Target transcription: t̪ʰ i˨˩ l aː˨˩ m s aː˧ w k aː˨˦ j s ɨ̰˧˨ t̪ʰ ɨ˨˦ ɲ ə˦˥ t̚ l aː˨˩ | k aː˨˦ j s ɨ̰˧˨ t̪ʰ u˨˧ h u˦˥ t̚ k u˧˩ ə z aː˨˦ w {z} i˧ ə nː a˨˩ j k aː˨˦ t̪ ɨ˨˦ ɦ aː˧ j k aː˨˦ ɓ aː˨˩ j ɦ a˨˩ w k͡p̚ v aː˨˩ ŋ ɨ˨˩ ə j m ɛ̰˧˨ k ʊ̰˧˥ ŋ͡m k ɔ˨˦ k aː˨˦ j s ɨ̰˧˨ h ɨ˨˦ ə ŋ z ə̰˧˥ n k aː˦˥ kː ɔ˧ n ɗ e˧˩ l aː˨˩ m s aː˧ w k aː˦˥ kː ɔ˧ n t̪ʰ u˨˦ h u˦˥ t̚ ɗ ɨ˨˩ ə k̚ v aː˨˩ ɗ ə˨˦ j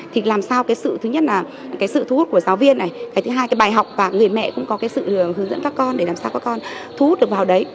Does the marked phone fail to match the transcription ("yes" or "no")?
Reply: yes